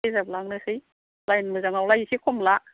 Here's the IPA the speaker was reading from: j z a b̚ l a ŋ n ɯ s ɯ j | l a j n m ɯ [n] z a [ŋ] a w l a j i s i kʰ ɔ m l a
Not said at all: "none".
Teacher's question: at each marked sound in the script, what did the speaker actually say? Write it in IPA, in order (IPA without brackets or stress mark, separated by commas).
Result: none, ŋ